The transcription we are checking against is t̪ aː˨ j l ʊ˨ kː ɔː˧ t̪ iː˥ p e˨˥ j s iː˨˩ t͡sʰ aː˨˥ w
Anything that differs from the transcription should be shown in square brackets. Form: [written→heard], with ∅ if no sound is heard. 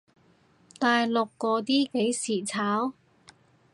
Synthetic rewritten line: t̪ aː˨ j l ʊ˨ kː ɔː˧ t̪ iː˥ [p→k] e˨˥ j s iː˨˩ t͡sʰ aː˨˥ w